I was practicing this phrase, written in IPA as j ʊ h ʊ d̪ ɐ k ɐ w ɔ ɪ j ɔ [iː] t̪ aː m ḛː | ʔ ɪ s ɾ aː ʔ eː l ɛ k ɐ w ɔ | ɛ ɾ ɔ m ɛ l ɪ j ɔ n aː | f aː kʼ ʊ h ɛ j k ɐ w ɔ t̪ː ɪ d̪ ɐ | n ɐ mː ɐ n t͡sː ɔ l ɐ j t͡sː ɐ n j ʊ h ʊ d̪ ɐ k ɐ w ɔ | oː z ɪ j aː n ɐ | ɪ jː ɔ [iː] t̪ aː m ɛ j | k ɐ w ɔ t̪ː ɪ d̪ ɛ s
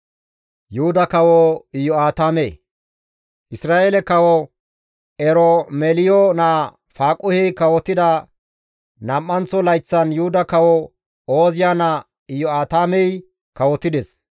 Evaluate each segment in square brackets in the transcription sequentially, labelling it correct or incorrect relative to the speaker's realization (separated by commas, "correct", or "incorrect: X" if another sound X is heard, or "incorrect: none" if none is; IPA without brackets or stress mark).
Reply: incorrect: aː, incorrect: aː